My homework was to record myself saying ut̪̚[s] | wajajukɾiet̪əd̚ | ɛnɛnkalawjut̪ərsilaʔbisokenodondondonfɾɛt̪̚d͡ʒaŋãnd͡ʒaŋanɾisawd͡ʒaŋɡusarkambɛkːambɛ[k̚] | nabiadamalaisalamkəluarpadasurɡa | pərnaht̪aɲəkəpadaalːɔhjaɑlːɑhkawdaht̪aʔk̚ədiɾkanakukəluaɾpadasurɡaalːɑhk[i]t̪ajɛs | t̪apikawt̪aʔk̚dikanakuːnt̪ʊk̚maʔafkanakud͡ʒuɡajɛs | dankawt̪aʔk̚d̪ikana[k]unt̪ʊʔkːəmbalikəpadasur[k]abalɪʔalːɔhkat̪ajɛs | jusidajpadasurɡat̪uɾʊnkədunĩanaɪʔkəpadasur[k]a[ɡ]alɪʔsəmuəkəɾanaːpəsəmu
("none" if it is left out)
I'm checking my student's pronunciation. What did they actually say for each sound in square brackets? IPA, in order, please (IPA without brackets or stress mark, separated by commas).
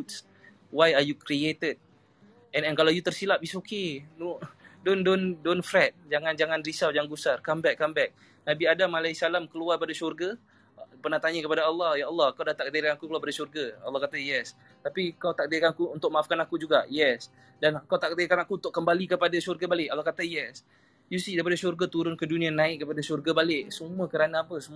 s, k̚, a, k, ɡ, ɡ, b